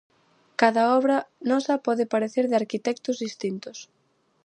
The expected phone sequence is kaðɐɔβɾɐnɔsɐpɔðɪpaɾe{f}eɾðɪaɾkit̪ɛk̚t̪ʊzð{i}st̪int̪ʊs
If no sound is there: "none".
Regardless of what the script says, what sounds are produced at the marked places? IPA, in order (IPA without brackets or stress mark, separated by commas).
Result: θ, i